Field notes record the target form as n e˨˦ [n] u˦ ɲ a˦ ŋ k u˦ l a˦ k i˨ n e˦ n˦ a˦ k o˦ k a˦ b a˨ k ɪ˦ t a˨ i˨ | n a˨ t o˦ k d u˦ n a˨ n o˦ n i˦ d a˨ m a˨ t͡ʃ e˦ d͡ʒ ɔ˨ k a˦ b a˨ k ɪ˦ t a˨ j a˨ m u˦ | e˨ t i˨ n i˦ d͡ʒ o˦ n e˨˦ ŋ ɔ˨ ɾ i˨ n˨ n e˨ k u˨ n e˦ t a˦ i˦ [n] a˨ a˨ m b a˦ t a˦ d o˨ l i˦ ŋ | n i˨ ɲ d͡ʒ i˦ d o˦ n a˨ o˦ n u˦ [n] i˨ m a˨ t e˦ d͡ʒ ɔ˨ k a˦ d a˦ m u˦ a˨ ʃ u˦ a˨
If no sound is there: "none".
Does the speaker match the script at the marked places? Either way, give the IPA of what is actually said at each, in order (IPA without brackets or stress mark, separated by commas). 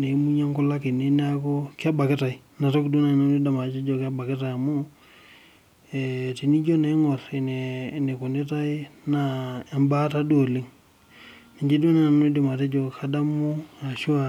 m, n, d